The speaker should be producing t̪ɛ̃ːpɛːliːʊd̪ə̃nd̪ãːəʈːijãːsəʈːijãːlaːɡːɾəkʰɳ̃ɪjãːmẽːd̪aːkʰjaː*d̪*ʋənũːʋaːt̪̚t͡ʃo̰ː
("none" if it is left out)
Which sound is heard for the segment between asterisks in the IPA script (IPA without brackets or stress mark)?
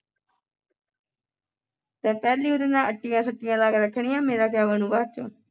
none